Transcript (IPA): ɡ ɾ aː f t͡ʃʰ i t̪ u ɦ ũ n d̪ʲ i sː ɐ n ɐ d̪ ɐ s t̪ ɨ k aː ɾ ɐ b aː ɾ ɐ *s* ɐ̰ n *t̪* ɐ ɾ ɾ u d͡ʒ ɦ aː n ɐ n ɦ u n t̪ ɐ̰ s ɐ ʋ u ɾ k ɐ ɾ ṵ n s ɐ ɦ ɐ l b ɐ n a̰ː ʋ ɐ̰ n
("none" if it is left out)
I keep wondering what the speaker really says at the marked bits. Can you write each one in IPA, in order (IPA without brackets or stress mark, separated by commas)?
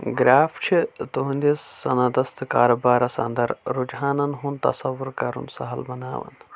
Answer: s, d̪